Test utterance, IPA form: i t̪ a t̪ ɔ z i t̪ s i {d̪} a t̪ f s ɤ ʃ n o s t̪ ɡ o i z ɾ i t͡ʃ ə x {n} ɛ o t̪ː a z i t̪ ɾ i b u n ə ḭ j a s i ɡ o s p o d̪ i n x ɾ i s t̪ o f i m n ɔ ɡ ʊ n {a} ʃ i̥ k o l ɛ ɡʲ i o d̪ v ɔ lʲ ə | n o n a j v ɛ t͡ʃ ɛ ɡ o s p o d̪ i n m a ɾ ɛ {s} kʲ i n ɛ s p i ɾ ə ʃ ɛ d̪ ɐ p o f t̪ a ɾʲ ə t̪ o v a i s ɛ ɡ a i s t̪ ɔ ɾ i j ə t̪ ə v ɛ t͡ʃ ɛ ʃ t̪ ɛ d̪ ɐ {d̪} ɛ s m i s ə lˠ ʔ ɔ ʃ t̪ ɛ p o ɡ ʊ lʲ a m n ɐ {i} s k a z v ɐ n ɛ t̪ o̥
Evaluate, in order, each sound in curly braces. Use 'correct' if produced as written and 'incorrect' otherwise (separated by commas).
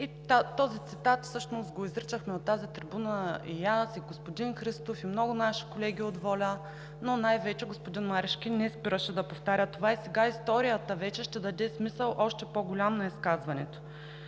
incorrect, incorrect, correct, incorrect, correct, correct